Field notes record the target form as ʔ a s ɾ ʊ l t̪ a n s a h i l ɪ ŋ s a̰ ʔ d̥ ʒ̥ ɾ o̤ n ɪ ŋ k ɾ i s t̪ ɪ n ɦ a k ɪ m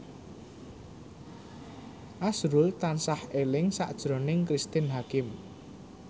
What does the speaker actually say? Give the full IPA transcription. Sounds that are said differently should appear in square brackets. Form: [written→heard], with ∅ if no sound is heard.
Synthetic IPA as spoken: ʔ a s ɾ ʊ l t̪ a n s a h [i→e] l ɪ ŋ s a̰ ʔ d̥ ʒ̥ ɾ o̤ n ɪ ŋ k ɾ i s t̪ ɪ n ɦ a k ɪ m